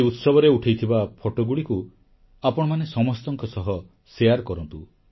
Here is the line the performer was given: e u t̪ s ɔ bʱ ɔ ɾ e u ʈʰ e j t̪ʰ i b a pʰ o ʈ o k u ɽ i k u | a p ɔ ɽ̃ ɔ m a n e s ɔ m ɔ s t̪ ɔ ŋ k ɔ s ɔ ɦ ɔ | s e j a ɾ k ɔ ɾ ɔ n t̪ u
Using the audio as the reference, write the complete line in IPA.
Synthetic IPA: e u t̪ s ɔ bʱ ɔ ɾ e u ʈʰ e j t̪ʰ i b a pʰ o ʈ o ɡ u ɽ i k u | a p ɔ ɽ̃ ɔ m a n e s ɔ m ɔ s t̪ ɔ ŋ k ɔ s ɔ ɦ ɔ | s e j a ɾ k ɔ ɾ ɔ n t̪ u